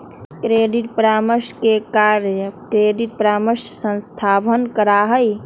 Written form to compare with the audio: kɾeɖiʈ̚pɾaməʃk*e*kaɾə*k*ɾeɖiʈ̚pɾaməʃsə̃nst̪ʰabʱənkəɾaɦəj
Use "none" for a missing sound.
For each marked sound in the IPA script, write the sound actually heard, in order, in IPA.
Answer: e, k

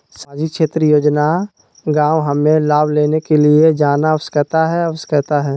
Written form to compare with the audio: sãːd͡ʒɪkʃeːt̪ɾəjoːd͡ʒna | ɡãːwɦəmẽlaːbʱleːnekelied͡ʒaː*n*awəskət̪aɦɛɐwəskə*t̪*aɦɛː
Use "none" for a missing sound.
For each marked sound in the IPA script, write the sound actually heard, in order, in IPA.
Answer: n, t̪

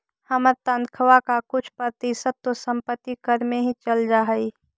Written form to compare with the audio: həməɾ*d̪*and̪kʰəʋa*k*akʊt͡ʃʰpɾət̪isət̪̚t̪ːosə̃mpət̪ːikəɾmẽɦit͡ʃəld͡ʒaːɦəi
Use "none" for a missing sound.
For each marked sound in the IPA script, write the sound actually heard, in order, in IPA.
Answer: t̪, k

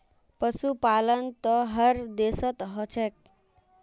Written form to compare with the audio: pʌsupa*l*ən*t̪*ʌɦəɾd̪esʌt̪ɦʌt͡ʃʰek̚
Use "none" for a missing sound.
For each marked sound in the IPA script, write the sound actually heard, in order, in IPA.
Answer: l, t̪

